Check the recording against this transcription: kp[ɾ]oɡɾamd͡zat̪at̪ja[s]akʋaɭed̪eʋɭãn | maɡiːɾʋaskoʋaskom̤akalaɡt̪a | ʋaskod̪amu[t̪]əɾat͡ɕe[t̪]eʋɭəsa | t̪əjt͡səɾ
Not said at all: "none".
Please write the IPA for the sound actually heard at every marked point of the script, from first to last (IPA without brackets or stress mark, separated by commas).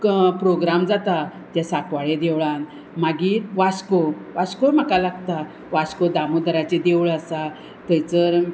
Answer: ɾ, s, d̪, d̪